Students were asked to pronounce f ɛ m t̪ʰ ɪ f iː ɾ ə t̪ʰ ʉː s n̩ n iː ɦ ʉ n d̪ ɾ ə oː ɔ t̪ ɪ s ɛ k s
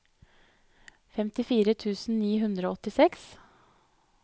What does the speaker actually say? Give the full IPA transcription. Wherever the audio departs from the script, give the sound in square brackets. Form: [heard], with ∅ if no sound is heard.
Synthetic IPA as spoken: f ɛ m [t̪] ɪ f iː ɾ ə t̪ʰ ʉː s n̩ n iː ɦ ʉ n d̪ ɾ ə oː ɔ t̪ ɪ s ɛ k s